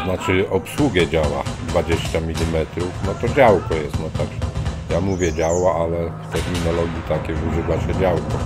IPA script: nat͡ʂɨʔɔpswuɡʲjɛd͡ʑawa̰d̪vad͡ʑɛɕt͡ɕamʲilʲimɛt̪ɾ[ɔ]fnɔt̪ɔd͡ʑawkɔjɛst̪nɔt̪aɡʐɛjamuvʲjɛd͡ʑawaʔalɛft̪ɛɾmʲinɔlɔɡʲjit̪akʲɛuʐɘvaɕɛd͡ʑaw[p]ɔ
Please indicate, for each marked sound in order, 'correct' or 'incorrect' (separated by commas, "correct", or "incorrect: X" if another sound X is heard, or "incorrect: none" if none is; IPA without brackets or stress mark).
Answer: incorrect: u, incorrect: k